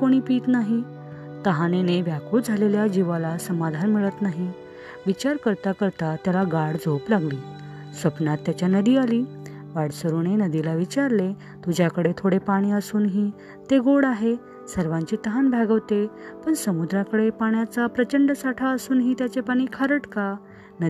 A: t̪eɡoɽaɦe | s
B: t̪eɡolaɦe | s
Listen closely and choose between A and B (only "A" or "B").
A